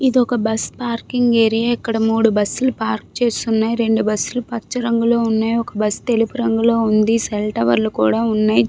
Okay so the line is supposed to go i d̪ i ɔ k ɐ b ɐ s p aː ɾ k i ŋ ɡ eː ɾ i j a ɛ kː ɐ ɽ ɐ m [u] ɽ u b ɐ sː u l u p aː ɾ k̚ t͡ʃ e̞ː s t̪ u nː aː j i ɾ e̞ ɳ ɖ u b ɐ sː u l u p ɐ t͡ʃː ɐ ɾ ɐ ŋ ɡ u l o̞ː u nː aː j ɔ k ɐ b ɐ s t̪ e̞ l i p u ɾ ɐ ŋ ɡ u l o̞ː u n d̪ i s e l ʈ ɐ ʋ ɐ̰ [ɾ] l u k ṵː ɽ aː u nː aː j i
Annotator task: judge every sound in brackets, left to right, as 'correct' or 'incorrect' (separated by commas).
incorrect, correct